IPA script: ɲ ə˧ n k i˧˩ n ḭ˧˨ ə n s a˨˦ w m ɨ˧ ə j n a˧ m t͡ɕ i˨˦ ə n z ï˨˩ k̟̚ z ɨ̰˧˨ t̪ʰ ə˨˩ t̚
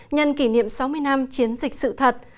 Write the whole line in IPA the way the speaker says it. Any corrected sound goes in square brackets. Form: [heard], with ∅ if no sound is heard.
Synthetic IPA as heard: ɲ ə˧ n k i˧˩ n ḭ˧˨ ə [m] s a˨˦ w m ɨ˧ ə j n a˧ m t͡ɕ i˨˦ ə n z ï˨˩ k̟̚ [s] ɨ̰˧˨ t̪ʰ ə˨˩ t̚